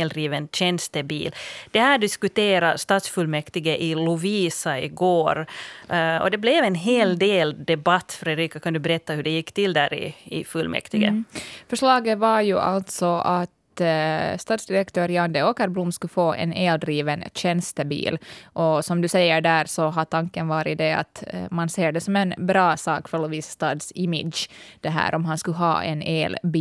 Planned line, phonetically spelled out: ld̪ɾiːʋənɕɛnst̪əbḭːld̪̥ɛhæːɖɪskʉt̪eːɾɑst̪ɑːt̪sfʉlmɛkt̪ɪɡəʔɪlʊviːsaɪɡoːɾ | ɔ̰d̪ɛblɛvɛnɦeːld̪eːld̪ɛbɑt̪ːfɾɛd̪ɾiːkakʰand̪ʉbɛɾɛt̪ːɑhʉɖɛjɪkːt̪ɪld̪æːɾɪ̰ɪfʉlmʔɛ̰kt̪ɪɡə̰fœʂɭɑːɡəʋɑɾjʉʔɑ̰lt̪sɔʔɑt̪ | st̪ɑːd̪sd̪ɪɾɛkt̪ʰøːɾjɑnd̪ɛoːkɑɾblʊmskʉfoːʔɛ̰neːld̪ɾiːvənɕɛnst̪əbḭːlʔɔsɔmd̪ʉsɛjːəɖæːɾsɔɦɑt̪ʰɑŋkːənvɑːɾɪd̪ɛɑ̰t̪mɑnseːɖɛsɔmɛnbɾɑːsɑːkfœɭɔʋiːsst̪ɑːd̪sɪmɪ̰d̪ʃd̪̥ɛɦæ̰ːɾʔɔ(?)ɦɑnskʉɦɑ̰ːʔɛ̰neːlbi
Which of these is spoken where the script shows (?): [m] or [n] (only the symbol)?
m